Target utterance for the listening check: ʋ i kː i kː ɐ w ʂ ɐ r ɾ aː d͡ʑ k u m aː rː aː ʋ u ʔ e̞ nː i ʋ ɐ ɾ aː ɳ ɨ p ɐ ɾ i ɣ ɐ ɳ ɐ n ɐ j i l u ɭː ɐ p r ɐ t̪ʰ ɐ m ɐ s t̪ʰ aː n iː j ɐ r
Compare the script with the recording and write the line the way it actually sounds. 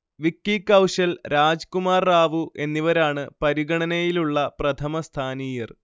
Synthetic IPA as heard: ʋ i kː i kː ɐ w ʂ ɐ l ɾ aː d͡ʑ k u m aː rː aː ʋ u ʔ e̞ nː i ʋ ɐ ɾ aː ɳ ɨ p ɐ ɾ i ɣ ɐ ɳ ɐ n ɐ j i l u ɭː ɐ p r ɐ t̪ʰ ɐ m ɐ s t̪ʰ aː n iː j ɐ r